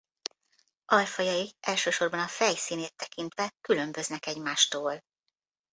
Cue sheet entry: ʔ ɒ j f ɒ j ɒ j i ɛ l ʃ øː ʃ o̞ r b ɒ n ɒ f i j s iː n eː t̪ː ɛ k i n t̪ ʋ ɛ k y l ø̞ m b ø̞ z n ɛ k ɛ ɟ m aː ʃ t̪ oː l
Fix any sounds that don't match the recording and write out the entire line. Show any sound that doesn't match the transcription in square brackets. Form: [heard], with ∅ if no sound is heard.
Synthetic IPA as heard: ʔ ɒ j f ɒ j ɒ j i ɛ l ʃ øː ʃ o̞ r b ɒ n ɒ f [ɛ] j s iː n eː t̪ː ɛ k i n t̪ ʋ ɛ k y l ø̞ m b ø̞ z n ɛ k ɛ ɟ m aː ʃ t̪ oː l

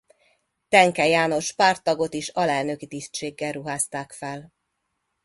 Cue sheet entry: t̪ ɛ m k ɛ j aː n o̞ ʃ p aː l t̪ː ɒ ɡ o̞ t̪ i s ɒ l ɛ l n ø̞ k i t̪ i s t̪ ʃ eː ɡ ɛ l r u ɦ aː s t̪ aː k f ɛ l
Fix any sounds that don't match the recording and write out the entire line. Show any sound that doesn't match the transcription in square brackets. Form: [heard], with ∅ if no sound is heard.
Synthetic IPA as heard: t̪ ɛ [ŋ] k ɛ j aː n o̞ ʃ p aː [r] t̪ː ɒ ɡ o̞ t̪ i [ʃ] ɒ l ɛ l n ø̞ k i t̪ i s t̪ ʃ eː [ɡː] ɛ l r u ɦ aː s t̪ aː k f ɛ l

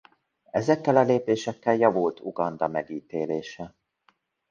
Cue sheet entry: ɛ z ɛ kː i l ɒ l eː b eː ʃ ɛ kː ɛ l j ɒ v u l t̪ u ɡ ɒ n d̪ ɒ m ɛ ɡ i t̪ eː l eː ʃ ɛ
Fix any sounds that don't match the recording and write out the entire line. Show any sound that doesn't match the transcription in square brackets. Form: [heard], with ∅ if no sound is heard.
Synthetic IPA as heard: ɛ z ɛ kː [ɛ] l ɒ l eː [p] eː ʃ ɛ kː ɛ l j ɒ v u l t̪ u ɡ ɒ n d̪ ɒ m ɛ ɡ [iː] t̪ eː l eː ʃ ɛ

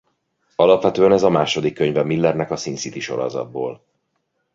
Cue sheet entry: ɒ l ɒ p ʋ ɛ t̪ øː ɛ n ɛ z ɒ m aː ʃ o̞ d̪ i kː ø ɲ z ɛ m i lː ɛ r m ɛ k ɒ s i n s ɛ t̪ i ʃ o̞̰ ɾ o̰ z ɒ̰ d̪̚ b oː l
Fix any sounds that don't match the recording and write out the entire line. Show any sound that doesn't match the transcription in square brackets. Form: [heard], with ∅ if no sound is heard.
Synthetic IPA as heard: ɒ l ɒ p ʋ ɛ t̪ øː ɛ n ɛ z ɒ m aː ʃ o̞ d̪ i kː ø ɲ [v] ɛ m i lː ɛ r [n] ɛ k ɒ s i n s [i] t̪ i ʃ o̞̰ ɾ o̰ z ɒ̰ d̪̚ b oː l

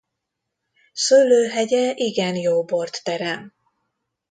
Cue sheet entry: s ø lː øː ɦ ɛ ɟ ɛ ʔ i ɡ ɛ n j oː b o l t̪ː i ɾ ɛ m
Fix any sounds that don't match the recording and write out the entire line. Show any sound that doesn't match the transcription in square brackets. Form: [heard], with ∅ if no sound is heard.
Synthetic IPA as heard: s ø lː øː ɦ ɛ ɟ ɛ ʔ i ɡ ɛ n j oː b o [r] t̪ː [ɛ] ɾ ɛ m

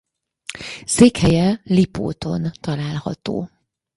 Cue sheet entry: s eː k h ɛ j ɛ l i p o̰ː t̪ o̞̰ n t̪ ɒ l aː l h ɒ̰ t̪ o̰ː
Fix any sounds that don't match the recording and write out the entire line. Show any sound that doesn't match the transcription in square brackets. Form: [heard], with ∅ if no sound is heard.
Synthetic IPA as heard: s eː k h ɛ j ɛ l i p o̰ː t̪ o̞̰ n t̪ ɒ l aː l h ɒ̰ t̪ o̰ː

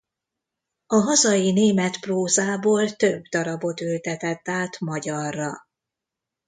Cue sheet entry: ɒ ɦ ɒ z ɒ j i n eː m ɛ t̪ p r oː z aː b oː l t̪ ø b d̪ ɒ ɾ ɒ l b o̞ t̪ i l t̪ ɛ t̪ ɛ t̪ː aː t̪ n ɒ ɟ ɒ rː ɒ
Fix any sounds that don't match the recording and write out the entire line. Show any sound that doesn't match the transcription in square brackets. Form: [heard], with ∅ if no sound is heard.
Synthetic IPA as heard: ɒ ɦ ɒ z ɒ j i n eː m ɛ t̪ p r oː z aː b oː l t̪ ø b d̪ ɒ ɾ ɒ [∅] b o̞ t̪ [y] l t̪ ɛ t̪ ɛ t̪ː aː t̪ [m] ɒ ɟ ɒ rː ɒ

